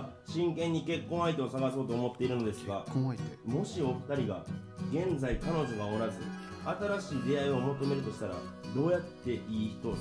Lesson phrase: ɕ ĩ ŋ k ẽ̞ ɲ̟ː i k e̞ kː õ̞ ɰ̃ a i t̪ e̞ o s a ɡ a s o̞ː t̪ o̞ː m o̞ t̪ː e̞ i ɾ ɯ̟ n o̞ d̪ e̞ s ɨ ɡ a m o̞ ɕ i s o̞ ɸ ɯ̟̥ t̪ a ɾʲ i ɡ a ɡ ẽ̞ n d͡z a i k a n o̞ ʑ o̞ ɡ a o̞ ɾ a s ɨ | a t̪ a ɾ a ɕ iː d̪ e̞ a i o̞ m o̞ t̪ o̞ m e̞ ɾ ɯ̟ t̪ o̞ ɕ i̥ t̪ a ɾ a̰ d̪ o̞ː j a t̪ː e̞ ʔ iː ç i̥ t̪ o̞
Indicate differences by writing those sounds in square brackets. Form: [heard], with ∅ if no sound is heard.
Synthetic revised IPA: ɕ ĩ ŋ k ẽ̞ ɲ̟ː i k e̞ kː õ̞ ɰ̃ a i t̪ e̞ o s a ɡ a s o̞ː t̪ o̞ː m o̞ t̪ː e̞ i ɾ ɯ̟ n o̞ d̪ e̞ s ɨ ɡ a m o̞ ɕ i [∅] o̞ ɸ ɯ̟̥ t̪ a ɾʲ i ɡ a ɡ ẽ̞ n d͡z a i k a n o̞ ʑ o̞ ɡ a o̞ ɾ a [z] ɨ | a t̪ a ɾ a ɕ iː d̪ e̞ a i o̞ m o̞ t̪ o̞ m e̞ ɾ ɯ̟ t̪ o̞ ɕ i̥ t̪ a ɾ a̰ d̪ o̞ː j a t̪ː e̞ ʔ iː ç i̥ t̪ o̞